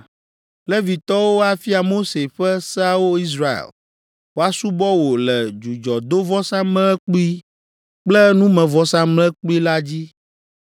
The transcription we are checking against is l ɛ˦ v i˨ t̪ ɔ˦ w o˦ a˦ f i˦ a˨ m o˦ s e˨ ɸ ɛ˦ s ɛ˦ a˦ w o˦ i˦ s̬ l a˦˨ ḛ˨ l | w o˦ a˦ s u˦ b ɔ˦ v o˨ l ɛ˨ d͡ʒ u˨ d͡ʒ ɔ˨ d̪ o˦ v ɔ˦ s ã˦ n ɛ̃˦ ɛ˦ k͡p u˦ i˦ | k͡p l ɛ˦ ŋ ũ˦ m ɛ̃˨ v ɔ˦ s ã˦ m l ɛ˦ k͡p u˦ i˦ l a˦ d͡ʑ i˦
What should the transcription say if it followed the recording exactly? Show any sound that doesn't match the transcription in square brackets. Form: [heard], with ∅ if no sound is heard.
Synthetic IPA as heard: l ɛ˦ v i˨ t̪ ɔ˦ w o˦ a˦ f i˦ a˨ m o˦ s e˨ ɸ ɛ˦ s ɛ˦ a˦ w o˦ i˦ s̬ [ɾ] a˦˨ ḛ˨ l | w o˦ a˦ s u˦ b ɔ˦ [w] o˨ l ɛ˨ d͡ʒ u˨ d͡ʒ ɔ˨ d̪ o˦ v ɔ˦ s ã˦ [m] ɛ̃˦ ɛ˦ k͡p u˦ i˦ | k͡p l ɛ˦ [n] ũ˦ m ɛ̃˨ v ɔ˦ s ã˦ m l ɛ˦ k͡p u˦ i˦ l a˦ d͡ʑ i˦